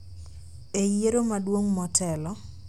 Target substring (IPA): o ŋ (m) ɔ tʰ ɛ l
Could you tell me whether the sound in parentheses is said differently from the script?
no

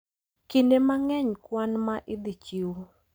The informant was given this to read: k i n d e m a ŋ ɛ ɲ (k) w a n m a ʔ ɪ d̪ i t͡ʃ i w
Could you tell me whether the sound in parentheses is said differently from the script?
no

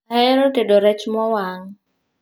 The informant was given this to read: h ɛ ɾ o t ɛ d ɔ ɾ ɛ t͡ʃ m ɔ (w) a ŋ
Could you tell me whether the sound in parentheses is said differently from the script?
no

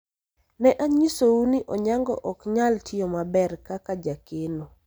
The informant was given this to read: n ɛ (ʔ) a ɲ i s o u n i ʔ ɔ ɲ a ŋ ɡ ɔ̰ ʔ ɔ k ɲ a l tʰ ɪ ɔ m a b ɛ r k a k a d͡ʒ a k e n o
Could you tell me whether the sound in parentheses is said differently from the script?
no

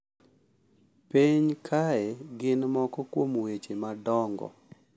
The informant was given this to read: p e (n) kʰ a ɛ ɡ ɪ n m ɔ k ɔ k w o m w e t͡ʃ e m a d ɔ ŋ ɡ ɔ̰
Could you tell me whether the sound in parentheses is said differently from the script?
yes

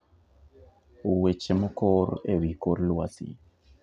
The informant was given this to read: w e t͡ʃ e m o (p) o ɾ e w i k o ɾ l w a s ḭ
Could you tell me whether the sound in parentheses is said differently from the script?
yes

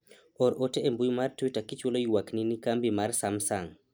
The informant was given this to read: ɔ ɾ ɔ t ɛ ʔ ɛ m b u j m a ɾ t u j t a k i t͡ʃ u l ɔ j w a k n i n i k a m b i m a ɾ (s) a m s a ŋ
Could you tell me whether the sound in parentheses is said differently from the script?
no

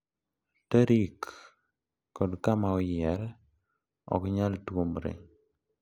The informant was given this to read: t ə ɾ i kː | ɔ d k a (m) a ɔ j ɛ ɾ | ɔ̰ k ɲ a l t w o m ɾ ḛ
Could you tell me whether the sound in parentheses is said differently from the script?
no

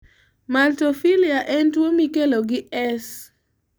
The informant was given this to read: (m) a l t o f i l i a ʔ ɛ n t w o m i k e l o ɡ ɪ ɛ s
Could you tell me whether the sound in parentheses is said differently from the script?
no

